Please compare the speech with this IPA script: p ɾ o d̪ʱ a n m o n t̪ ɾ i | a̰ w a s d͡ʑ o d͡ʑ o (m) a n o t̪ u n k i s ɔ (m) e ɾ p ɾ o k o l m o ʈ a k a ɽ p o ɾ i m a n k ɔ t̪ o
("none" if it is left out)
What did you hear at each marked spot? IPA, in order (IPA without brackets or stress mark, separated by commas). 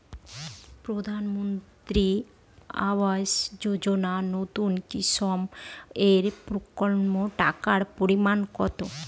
n, m